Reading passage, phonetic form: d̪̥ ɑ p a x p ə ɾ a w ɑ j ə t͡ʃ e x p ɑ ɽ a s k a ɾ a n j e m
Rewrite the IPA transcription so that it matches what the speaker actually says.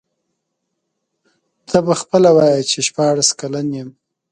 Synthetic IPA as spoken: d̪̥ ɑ b a x p ə l a w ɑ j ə t͡ʃ e ʃ p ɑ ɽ a s k a l a n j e m

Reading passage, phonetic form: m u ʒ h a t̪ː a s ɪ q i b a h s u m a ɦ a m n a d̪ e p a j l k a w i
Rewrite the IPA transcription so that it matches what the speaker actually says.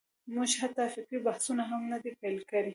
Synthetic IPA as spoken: m u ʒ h a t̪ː a f ɪ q i b a h s u n a ɦ a m n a d̪ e p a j l k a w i

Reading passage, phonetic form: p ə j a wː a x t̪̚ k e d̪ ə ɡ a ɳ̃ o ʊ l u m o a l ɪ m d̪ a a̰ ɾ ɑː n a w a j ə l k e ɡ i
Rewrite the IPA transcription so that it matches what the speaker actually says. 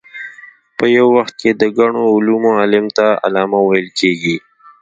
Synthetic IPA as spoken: p ə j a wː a x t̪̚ k e d̪ ə ɡ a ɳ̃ o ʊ l u m o a l ɪ m t̪ a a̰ l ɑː m a w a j ə l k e ɡ i

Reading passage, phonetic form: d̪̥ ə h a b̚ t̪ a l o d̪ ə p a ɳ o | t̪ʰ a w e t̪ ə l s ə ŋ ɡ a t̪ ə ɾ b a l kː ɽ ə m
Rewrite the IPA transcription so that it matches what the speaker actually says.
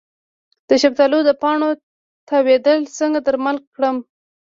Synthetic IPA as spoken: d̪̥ ə ʃ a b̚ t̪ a l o d̪ ə p ɑ ɳ o | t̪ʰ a w e d̪ ə l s ə ŋ ɡ a d̪ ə ɾ m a l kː ɽ ə m

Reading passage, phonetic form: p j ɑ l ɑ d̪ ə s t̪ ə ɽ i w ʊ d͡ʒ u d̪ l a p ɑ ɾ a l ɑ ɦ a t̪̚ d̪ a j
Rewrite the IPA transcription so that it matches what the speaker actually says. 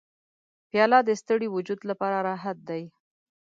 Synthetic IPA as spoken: p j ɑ l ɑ d̪ ə s t̪ ə ɽ i w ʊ d͡ʒ u d̪ l a p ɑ ɾ a ɾ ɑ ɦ a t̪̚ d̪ a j

